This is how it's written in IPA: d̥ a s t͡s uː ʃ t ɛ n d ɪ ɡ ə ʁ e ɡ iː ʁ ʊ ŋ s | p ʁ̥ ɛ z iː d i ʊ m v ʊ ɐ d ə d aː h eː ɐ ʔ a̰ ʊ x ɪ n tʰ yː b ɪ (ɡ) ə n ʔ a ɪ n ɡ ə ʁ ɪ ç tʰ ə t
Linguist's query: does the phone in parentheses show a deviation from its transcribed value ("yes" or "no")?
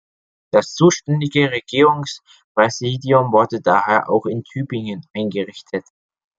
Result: yes